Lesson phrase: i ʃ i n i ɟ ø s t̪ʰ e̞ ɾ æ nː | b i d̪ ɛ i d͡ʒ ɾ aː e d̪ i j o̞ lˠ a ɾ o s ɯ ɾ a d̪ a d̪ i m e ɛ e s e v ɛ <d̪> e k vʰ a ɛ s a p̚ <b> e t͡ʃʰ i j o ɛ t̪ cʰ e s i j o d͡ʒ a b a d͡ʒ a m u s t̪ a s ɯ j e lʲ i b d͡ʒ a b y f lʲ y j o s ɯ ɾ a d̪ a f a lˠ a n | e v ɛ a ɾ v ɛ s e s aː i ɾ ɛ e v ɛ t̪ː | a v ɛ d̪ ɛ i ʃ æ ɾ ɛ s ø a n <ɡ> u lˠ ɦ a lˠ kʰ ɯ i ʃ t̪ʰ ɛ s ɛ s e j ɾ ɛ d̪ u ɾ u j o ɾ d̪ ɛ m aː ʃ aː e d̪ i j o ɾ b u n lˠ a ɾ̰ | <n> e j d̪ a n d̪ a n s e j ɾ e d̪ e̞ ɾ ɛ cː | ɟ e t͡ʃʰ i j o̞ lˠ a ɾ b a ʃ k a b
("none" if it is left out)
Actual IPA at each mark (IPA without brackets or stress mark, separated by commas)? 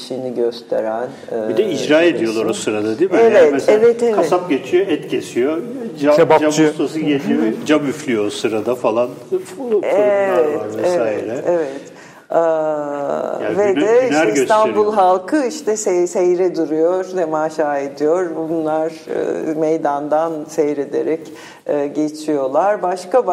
t̪, ɟ, b, m